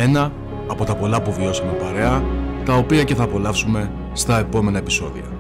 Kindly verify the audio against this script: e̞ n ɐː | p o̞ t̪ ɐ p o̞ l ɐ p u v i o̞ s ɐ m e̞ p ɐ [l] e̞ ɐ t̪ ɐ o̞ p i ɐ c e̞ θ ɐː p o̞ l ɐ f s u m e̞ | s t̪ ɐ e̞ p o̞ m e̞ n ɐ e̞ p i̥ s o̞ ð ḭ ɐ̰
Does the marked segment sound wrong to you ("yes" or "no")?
yes